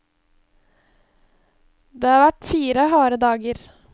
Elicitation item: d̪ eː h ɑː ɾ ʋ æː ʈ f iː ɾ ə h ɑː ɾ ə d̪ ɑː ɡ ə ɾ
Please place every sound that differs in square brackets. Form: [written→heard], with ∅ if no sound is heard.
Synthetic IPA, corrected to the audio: d̪ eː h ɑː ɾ ʋ [æː→æ] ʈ f iː ɾ ə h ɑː ɾ ə d̪ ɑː ɡ ə ɾ